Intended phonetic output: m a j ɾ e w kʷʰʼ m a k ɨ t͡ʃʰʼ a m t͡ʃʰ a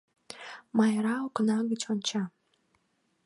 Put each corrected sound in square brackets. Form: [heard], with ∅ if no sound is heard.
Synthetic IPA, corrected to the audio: m a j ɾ [a] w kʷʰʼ [n] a [ɡ] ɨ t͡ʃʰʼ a [n] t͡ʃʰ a